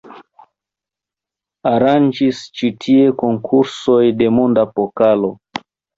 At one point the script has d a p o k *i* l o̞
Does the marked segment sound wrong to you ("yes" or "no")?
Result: yes